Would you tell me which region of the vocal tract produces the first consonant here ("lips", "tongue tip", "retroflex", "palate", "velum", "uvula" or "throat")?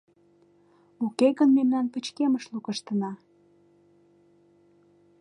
velum